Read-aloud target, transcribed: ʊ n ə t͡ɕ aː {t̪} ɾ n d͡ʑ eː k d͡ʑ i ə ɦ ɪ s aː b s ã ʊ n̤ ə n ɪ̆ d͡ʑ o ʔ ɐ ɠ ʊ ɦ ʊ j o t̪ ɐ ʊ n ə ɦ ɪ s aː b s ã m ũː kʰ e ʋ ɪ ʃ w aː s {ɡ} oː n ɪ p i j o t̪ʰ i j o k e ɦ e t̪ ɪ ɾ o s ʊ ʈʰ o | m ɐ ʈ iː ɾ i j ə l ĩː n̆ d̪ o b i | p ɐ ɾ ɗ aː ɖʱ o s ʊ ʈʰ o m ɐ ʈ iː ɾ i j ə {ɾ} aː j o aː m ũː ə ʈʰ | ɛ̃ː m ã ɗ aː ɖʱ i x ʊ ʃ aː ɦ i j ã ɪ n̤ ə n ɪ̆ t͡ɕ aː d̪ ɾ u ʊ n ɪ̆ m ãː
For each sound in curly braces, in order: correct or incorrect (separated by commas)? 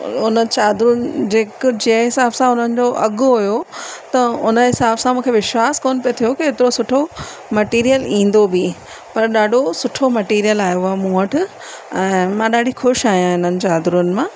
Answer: incorrect, incorrect, incorrect